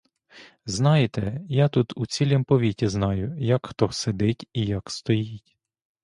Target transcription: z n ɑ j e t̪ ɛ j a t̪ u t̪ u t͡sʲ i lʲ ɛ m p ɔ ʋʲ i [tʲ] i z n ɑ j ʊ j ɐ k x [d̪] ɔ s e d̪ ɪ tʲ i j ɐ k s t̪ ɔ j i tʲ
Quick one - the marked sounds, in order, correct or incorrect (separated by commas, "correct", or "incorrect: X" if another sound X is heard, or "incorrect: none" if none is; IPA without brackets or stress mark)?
correct, incorrect: t̪